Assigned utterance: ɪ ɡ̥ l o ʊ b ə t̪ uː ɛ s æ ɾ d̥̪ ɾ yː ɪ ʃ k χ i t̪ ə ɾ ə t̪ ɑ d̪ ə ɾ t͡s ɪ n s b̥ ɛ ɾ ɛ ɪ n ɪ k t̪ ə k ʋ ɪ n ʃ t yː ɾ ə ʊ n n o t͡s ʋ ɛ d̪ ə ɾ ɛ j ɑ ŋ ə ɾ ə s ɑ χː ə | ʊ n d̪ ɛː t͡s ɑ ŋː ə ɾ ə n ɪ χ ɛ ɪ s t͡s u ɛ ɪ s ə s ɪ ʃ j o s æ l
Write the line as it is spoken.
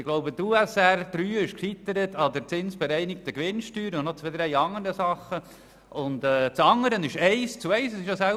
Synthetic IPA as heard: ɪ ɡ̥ l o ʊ b ə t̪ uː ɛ s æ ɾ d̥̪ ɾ yː ɪ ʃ k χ i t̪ ə ɾ ə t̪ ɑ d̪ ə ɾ t͡s ɪ n s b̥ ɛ ɾ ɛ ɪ n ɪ k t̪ ə k ʋ ɪ n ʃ t yː ɾ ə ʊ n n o t͡s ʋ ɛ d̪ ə ɾ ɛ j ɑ ŋ ə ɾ ə s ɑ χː ə | ʊ n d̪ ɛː t͡s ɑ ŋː ə ɾ ə n ɪ ʃ ɛ ɪ s t͡s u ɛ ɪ s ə s ɪ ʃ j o s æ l